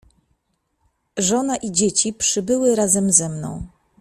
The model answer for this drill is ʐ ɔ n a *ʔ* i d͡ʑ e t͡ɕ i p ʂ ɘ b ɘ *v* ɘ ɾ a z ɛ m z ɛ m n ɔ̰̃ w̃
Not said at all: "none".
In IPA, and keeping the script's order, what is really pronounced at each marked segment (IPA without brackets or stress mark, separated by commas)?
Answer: ʔ, w